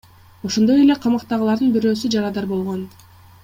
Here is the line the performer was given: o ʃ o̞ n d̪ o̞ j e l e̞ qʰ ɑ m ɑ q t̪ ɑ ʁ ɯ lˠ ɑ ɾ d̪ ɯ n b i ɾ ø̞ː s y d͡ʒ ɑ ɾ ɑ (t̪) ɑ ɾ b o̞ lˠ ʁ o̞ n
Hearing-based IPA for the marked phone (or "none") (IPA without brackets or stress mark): d̪